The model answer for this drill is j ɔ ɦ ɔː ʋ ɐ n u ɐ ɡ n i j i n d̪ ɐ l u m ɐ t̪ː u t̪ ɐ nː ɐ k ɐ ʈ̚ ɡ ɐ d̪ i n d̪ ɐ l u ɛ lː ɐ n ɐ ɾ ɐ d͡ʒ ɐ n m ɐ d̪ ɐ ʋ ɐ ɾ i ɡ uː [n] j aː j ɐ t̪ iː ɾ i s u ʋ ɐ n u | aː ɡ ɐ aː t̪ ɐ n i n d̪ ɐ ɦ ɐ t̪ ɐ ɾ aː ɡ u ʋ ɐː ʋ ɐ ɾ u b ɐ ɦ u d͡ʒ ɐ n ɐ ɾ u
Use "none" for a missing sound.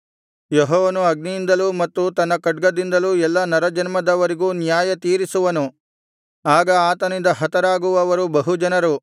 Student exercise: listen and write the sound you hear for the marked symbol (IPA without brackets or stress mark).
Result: n